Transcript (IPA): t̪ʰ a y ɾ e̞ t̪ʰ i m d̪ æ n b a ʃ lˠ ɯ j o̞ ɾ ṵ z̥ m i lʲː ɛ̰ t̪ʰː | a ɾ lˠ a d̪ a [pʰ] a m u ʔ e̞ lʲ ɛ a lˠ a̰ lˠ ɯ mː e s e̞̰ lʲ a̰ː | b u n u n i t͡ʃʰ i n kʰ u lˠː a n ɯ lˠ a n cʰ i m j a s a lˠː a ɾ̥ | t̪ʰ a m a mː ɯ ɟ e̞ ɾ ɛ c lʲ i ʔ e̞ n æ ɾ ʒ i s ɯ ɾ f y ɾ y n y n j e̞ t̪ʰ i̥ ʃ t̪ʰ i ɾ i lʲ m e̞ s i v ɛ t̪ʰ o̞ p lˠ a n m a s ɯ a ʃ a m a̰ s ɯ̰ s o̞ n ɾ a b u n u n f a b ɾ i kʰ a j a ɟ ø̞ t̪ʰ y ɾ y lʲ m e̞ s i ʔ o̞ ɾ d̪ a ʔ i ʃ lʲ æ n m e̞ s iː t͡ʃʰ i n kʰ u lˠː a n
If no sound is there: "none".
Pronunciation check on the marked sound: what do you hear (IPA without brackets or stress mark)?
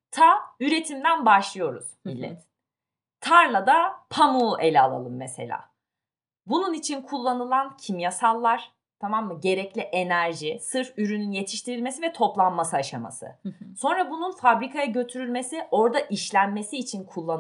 pʰ